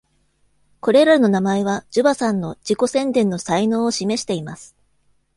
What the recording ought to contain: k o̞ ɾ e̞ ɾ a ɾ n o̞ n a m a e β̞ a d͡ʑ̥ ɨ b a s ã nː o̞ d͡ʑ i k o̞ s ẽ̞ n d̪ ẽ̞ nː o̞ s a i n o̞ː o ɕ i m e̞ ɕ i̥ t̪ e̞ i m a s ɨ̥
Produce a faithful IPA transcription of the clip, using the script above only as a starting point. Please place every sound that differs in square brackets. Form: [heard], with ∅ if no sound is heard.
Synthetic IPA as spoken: k o̞ ɾ e̞ ɾ a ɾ n o̞ n a m a e β̞ a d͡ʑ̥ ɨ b a s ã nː o̞ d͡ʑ i k o̞ s ẽ̞ n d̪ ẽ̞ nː o̞ s a i n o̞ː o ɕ i m e̞ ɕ i̥ t̪ e̞ i m a s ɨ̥